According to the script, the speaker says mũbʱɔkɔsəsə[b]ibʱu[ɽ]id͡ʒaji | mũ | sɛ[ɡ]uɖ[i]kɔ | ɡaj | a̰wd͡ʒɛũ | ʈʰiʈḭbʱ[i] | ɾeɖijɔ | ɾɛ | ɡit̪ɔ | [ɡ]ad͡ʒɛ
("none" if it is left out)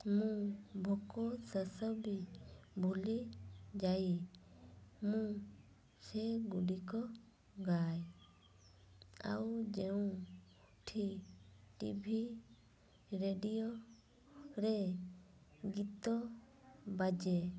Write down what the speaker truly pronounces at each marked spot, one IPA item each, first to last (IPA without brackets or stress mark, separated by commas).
b, l, ɡ, i, i, b